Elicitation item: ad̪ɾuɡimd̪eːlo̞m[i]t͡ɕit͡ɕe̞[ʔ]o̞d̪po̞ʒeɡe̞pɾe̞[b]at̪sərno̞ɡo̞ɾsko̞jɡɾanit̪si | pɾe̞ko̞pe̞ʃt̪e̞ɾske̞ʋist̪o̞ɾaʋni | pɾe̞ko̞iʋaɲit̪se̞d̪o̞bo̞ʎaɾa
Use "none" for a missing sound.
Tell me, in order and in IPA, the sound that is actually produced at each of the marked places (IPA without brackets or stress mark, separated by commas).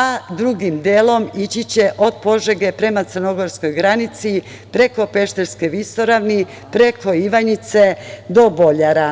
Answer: i, ʔ, m